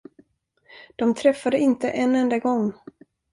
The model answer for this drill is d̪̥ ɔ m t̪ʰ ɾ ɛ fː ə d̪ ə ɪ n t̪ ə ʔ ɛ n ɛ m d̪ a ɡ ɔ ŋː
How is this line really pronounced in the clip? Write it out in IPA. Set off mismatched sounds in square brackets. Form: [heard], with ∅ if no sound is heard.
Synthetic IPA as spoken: d̪̥ ɔ m t̪ʰ ɾ ɛ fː [a] d̪ ə ɪ n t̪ ə ʔ ɛ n ɛ [n] d̪ a ɡ ɔ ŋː